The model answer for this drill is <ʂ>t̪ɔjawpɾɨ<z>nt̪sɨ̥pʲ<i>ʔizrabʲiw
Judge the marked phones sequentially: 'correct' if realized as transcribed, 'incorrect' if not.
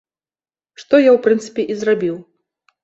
correct, incorrect: none, incorrect: ɛ

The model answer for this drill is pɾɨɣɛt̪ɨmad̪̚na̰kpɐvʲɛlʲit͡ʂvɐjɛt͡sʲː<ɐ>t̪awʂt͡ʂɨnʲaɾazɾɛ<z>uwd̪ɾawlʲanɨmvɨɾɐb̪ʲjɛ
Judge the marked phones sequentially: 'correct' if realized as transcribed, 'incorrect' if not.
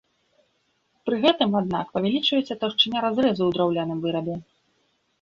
correct, correct

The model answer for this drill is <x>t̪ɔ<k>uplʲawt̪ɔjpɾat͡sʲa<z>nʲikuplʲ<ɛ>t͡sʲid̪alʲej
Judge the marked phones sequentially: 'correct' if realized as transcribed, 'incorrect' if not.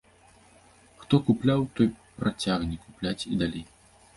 correct, correct, incorrect: ɣ, incorrect: a

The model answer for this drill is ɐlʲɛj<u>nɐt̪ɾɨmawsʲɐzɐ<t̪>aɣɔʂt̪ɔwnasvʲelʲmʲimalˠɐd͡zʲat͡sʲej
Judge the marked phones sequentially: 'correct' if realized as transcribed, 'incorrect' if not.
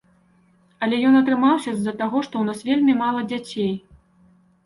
incorrect: ɔ, correct

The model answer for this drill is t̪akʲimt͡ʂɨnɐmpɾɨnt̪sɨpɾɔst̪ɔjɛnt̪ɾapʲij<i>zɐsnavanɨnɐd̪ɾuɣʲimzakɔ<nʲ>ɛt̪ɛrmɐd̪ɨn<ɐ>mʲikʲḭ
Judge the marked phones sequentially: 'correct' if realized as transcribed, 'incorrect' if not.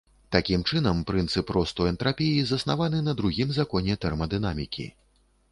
correct, correct, incorrect: a

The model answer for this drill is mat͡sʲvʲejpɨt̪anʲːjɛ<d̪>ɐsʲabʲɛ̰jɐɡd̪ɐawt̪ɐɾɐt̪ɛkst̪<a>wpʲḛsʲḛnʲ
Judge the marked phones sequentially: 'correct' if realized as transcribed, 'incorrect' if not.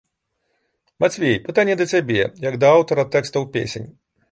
correct, incorrect: ɐ

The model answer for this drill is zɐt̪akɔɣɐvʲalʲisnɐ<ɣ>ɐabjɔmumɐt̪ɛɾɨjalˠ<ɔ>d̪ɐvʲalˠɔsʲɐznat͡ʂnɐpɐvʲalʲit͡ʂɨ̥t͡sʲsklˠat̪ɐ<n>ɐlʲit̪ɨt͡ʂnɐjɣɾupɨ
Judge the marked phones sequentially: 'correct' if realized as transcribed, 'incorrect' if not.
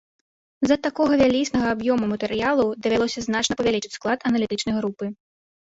correct, incorrect: u, correct

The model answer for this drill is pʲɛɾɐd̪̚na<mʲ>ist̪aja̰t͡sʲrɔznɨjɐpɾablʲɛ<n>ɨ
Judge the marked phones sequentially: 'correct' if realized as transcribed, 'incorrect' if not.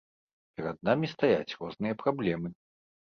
correct, incorrect: m

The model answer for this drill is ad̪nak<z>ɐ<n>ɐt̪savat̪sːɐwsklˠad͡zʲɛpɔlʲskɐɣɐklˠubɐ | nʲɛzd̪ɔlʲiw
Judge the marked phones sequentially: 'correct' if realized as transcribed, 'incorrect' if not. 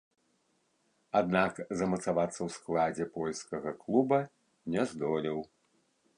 correct, incorrect: m

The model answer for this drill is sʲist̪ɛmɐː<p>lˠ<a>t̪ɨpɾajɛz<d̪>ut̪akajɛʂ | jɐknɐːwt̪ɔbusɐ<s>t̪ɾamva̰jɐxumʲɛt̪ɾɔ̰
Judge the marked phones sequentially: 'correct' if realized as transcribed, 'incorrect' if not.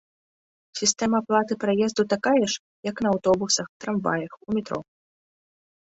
correct, correct, correct, incorrect: x

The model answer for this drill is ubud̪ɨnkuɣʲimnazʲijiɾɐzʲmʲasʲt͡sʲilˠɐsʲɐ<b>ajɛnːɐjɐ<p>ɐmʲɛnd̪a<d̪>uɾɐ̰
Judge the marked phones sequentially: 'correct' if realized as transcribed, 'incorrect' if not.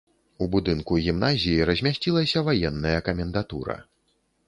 incorrect: v, incorrect: k, incorrect: t̪

